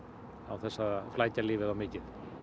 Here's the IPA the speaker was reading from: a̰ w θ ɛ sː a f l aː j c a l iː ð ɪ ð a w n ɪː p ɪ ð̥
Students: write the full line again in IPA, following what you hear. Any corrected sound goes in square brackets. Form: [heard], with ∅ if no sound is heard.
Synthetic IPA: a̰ w θ ɛ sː a f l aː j c a l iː [v] ɪ ð a w [m] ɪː [c] ɪ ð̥